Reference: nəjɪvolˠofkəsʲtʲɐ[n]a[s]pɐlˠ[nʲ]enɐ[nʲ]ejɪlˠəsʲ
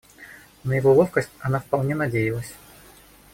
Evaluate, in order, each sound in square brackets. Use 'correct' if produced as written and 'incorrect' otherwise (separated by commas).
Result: correct, incorrect, correct, incorrect